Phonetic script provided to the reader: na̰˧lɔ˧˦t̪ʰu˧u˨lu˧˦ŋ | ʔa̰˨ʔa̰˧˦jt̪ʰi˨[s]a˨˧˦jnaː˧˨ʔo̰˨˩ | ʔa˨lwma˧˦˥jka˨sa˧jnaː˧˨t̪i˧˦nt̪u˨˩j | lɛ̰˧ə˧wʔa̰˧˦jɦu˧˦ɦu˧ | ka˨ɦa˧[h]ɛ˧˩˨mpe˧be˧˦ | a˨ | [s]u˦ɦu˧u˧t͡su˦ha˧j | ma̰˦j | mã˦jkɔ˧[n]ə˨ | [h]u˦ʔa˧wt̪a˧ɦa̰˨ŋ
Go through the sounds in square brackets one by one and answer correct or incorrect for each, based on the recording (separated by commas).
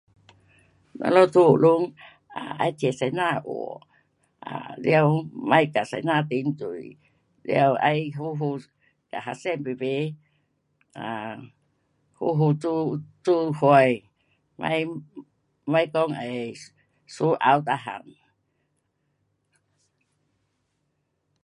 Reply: correct, incorrect, incorrect, incorrect, incorrect